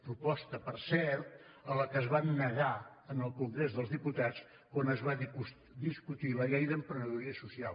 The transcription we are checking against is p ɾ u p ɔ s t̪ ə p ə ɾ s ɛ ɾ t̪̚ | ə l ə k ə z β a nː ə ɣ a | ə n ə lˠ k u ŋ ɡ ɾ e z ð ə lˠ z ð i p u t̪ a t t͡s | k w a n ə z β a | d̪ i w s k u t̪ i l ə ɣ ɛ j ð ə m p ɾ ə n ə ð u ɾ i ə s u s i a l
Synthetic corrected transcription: p ɾ u p ɔ s t̪ ə p ə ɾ s ɛ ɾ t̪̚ | ə l ə k ə z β a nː ə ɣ a | ə n ə lˠ k u ŋ ɡ ɾ e z ð ə lˠ z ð i p u t̪ a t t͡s | k w a n ə z β a | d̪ i s k u t̪ i l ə ɣ ɛ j ð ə m p ɾ ə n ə ð u ɾ i ə s u s i a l